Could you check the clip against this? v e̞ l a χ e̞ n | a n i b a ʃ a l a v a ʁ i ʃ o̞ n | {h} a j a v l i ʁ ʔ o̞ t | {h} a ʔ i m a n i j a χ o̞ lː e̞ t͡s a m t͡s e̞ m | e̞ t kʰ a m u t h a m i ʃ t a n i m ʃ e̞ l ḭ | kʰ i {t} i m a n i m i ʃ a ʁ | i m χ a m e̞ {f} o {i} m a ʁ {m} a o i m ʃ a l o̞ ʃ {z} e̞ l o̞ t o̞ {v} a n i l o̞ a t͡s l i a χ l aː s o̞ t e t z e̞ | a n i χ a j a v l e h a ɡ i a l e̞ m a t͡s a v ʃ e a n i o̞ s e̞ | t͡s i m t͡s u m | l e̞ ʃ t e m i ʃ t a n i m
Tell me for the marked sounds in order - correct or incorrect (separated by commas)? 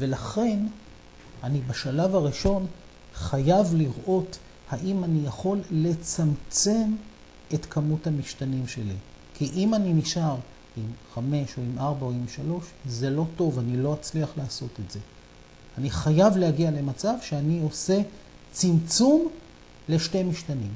incorrect, correct, incorrect, incorrect, correct, incorrect, correct, correct